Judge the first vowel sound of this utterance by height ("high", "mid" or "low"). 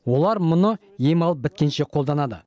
mid